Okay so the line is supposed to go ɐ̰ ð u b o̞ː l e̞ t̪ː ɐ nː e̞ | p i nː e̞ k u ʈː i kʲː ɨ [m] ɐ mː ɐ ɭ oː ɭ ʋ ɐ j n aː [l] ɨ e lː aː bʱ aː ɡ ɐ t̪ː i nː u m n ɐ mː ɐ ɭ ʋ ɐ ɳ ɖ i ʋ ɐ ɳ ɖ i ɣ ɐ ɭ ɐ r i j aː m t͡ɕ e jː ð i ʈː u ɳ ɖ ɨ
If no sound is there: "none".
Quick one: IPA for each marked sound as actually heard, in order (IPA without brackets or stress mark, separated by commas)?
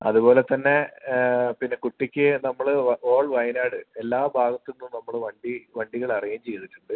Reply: n, ɽ